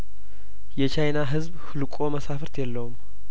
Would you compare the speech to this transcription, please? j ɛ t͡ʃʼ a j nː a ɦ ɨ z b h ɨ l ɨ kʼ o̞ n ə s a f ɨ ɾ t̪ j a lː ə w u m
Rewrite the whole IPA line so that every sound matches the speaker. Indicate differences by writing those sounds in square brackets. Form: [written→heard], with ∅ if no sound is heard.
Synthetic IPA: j ɛ [t͡ʃʼ→t͡ʃ] a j [nː→n] a ɦ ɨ z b h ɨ l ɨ kʼ o̞ [n→m] ə s a f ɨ ɾ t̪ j [a→ɛ] lː ə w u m